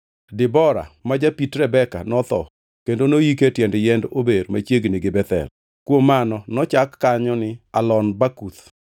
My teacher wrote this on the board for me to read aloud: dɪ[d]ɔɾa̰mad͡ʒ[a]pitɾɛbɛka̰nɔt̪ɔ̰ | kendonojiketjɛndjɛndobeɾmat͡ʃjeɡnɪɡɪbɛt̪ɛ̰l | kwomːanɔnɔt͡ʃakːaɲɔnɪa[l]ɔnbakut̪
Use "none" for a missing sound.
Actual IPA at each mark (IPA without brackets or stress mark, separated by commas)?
b, a, l